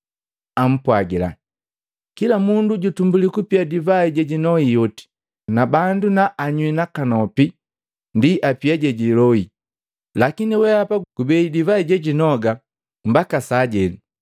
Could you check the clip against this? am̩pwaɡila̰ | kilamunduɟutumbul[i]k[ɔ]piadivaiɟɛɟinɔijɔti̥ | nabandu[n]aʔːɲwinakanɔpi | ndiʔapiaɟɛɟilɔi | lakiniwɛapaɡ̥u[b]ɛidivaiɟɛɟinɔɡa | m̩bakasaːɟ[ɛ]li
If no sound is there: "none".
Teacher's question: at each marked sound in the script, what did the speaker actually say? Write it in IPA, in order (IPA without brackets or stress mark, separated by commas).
i, u, n, b, ɛ